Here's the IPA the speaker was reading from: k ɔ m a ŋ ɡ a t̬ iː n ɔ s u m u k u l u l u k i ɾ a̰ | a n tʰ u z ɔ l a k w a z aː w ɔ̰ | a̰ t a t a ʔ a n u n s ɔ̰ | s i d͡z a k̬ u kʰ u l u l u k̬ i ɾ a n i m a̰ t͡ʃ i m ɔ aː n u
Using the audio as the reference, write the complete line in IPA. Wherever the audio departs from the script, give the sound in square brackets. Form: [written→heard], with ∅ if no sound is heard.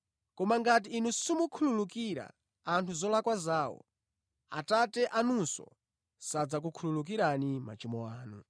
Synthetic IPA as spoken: k ɔ m a ŋ ɡ a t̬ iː n [ɔ→u] s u m u [k→kʰ] u l u l u k i ɾ a̰ | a n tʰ u z ɔ l a k w a z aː w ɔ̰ | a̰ t a t [a→ɛ] ʔ a n u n s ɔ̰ | s [i→a] d͡z a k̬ u kʰ u l u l u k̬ i ɾ a n i m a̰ t͡ʃ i m ɔ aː n u